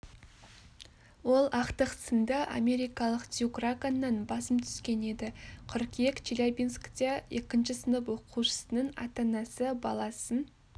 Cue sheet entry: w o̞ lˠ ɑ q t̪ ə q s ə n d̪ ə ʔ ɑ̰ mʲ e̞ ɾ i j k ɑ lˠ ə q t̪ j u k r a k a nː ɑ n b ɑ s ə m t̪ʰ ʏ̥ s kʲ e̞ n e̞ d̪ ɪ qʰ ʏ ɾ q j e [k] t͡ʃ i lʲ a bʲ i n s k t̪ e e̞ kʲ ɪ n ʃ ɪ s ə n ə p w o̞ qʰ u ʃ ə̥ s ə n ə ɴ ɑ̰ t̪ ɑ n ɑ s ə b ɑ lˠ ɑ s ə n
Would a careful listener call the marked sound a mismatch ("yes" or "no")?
no